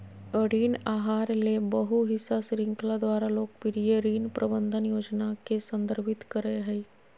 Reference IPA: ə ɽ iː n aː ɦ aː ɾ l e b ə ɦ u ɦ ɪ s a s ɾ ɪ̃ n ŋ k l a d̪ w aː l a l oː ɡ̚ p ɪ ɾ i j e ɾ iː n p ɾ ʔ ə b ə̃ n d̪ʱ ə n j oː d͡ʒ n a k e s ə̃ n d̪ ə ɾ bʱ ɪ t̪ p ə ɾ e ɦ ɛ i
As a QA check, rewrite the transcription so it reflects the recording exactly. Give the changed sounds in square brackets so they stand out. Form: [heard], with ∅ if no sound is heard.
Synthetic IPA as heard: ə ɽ iː n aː ɦ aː ɾ l e b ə ɦ u ɦ ɪ s a s ɾ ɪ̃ [∅] ŋ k l a d̪ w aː [ɾ] a l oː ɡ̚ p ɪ ɾ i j e ɾ iː n p ɾ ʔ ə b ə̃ n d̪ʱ ə n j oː d͡ʒ n a k e s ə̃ n d̪ ə ɾ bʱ ɪ t̪ [k] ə ɾ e ɦ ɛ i